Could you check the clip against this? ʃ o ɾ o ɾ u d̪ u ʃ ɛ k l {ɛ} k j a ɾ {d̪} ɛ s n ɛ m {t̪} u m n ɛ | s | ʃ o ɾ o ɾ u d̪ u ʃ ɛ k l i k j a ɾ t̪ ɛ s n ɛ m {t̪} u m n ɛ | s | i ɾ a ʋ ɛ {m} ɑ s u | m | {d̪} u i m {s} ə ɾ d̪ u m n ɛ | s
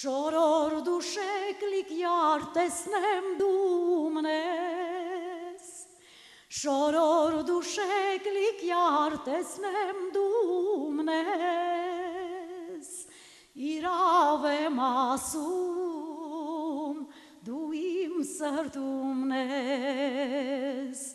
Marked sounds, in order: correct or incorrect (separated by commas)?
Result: incorrect, incorrect, incorrect, incorrect, correct, correct, correct